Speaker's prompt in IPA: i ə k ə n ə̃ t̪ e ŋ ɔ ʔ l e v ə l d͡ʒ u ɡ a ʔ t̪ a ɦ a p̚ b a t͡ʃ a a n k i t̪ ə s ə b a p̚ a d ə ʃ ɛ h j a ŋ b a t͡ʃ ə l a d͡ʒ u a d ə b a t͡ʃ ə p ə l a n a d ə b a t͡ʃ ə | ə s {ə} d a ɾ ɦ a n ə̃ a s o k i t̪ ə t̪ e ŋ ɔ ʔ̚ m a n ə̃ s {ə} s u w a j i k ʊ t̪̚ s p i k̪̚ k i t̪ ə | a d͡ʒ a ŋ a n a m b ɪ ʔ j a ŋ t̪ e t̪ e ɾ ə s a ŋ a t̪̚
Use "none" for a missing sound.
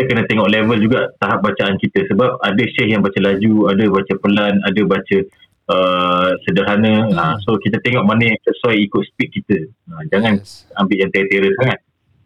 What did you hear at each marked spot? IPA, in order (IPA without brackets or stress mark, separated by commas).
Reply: ə, ə